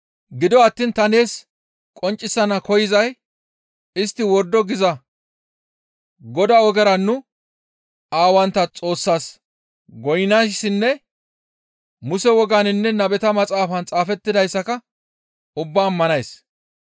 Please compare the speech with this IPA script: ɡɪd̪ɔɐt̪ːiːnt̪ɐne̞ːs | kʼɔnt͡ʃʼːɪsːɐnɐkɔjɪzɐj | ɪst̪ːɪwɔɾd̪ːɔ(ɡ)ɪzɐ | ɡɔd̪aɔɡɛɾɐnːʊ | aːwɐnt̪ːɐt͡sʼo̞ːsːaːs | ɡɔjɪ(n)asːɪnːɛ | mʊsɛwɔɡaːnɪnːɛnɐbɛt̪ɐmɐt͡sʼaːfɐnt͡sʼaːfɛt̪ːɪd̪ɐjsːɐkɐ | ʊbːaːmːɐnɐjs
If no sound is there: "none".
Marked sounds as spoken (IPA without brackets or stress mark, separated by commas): ɡ, n